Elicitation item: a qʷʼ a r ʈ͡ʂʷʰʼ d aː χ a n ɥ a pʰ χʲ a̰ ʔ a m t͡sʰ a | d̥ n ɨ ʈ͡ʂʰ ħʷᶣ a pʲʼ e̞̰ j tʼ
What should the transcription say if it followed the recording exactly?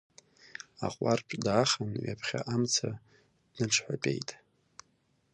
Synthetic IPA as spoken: a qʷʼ a r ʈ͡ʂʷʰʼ d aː χ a n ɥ a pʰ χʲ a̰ ʔ a m t͡sʰ a | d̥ n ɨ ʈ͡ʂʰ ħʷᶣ a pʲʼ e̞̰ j tʼ